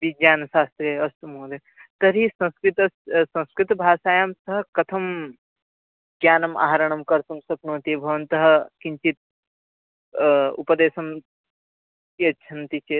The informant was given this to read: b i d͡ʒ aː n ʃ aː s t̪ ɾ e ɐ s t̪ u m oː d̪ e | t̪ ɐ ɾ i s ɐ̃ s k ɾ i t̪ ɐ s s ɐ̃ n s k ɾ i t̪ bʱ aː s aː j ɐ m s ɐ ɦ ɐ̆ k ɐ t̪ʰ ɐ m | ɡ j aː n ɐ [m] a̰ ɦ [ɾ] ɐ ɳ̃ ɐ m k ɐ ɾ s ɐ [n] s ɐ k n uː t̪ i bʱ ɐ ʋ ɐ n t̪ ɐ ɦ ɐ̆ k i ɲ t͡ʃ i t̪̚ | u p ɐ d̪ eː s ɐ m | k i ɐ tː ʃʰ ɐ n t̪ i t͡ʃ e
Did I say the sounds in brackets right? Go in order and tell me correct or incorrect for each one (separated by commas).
correct, correct, incorrect